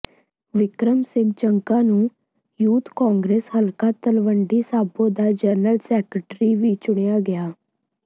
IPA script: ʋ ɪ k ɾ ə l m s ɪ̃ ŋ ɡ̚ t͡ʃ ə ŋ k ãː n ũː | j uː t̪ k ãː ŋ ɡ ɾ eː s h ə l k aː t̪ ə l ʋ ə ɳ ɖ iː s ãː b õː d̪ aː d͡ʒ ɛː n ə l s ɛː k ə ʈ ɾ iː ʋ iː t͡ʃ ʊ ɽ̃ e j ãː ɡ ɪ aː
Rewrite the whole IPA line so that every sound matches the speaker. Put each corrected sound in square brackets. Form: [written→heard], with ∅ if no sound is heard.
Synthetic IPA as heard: ʋ ɪ k ɾ ə [l→∅] m s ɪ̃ ŋ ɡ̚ t͡ʃ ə ŋ k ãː n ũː | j uː t̪ k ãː ŋ ɡ ɾ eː s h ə l k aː t̪ ə l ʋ ə ɳ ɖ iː s [ãː→aː] b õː d̪ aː d͡ʒ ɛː n ə l s ɛː k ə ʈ ɾ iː ʋ iː t͡ʃ ʊ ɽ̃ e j [ãː→aː] ɡ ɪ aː